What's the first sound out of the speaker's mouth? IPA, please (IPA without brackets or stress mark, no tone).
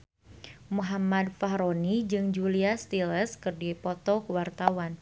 m